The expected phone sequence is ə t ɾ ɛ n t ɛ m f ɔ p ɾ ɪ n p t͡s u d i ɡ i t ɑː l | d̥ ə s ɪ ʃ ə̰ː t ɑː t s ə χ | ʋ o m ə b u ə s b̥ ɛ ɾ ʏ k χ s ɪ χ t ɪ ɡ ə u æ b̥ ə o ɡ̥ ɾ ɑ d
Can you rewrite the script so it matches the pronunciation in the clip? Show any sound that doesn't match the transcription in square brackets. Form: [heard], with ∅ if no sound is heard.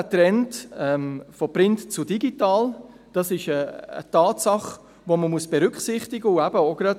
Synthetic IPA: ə t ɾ ɛ n t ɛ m f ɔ p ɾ ɪ n [t] t͡s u d i ɡ i t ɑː l | d̥ [ɑ] s ɪ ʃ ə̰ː t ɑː t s [ɑ] χ | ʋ o m ə [m] u ə s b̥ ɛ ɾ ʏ k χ s ɪ χ t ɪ ɡ ə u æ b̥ ə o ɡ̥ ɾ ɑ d

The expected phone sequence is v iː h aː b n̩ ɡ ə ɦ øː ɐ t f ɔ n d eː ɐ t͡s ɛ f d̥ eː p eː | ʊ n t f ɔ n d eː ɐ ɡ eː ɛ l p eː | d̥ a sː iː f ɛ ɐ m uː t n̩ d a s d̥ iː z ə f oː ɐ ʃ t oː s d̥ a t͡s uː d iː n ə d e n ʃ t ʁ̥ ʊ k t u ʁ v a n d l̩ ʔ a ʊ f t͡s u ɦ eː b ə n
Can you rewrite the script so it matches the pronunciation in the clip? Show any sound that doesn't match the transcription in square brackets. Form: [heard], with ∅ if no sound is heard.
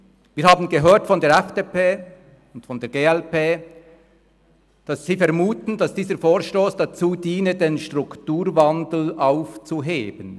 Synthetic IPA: v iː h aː b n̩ ɡ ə ɦ øː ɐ t f ɔ n d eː ɐ [∅] ɛ f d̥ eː p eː | ʊ n t f ɔ n d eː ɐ ɡ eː ɛ l p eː | d̥ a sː iː f ɛ ɐ m uː t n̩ d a s d̥ iː z ə f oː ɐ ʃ t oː s d̥ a t͡s uː d iː n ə d e n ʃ t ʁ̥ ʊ k t [uː] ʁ v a n d l̩ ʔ a ʊ f t͡s u ɦ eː b ə n

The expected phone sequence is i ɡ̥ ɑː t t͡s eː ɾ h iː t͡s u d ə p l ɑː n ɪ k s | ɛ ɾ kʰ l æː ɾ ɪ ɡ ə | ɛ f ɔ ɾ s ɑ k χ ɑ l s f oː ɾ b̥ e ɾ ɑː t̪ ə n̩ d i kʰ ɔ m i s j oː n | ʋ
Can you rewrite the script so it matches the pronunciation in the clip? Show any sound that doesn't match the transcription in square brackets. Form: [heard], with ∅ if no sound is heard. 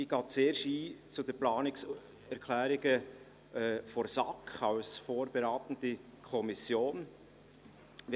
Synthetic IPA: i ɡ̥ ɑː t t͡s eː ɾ [ʃ] iː t͡s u d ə p l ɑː n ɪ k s | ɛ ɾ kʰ l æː ɾ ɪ ɡ ə | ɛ f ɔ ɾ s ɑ k χ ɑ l s f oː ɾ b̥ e ɾ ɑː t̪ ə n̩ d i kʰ ɔ m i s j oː n | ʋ

